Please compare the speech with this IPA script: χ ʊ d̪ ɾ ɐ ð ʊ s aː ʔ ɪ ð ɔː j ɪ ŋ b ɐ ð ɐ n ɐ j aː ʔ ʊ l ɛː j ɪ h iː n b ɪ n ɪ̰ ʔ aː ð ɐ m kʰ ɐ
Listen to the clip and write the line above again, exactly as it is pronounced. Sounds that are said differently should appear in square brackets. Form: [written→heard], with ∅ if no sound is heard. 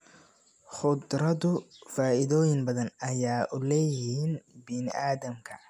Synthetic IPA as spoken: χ ʊ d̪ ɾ ɐ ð ʊ [s→f] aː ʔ ɪ ð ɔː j ɪ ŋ b ɐ ð ɐ n ɐ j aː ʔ ʊ l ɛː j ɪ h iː n b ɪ n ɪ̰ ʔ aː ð ɐ m kʰ ɐ